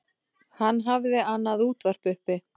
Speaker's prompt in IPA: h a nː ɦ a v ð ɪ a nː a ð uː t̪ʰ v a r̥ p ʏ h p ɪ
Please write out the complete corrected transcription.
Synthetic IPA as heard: h a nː ɦ a v ð ɪ a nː a ð uː t̪ v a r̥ p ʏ h p ɪ